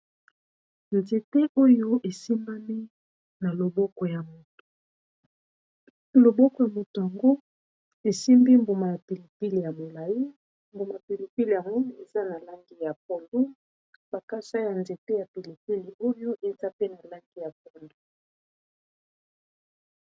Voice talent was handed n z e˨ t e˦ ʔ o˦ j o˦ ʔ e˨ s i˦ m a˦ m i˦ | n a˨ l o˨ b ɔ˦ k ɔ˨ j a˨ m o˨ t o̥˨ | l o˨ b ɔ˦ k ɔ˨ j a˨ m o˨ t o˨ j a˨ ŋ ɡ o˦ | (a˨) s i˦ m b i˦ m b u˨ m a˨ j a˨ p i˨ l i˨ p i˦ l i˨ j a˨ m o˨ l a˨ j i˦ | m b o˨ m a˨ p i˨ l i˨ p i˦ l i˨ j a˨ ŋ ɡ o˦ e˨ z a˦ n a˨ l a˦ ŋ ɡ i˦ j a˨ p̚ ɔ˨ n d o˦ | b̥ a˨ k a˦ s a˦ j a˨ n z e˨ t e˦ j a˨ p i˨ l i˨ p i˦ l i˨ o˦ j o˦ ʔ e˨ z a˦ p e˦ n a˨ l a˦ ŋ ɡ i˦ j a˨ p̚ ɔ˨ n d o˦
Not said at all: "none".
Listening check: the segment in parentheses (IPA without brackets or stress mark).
e˨